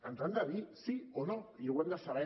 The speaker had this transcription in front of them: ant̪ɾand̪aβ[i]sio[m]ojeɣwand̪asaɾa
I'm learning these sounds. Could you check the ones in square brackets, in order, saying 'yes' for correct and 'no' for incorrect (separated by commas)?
yes, no